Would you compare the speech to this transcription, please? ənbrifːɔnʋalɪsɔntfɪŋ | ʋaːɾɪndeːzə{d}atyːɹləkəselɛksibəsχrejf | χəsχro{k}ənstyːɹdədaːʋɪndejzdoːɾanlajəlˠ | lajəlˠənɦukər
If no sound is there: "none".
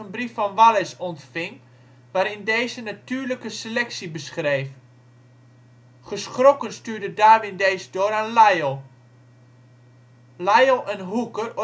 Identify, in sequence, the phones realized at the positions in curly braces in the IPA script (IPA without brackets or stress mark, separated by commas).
n, k